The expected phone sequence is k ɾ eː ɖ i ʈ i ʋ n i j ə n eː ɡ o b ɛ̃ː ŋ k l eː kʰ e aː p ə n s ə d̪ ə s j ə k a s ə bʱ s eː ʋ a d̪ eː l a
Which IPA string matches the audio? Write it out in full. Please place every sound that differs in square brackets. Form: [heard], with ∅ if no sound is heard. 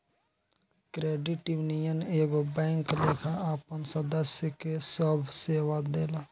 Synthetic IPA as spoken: k ɾ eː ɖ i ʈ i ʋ n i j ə n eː ɡ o b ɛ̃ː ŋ k l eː kʰ [a] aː p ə n s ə d̪ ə s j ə k [e] s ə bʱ s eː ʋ a d̪ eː l a